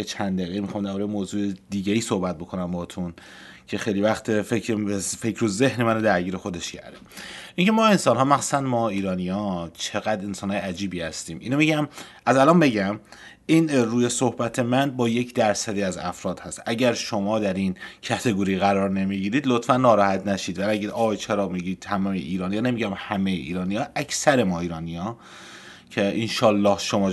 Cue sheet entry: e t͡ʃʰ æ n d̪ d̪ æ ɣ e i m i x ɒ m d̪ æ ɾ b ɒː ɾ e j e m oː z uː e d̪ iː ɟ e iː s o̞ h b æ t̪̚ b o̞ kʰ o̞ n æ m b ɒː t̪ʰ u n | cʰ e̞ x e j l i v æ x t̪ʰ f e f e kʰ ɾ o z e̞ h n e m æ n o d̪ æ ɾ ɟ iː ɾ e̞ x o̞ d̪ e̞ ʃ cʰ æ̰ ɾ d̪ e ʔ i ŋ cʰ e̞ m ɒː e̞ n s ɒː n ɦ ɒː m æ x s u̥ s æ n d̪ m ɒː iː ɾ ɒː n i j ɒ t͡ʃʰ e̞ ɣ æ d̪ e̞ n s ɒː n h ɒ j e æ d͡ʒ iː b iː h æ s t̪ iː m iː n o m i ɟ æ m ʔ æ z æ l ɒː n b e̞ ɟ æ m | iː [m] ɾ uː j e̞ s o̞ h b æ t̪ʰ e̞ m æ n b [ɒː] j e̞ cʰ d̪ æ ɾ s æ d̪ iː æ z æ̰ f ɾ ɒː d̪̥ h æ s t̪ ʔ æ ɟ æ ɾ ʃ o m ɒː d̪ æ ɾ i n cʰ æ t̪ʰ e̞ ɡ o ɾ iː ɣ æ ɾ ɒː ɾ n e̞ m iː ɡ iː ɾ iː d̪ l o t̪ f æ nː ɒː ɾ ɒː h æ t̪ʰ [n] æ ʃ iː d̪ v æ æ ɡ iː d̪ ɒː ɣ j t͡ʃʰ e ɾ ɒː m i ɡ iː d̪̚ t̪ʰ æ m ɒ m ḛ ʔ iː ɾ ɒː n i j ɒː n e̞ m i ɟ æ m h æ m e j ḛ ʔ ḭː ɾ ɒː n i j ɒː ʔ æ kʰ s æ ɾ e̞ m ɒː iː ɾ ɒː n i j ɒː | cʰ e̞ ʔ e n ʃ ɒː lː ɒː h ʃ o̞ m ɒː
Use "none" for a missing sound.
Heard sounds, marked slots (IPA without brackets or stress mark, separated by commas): n, ɒː, n